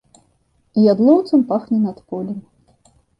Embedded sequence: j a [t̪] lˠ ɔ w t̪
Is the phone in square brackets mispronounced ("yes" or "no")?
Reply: yes